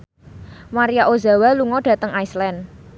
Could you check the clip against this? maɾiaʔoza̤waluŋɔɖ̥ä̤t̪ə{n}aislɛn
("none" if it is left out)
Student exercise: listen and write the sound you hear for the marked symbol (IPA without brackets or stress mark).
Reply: ŋ